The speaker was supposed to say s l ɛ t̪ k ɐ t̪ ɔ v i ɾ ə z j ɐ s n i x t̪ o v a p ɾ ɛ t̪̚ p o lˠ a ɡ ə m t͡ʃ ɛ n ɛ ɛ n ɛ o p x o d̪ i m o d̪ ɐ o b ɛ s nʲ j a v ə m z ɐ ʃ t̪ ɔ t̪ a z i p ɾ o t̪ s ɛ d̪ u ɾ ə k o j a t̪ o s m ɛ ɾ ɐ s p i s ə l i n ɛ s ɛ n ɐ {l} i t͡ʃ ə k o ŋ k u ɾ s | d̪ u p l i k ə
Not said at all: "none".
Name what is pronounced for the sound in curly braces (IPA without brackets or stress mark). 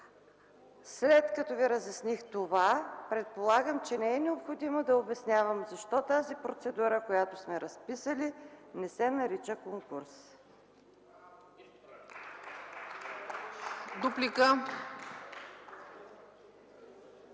ɾ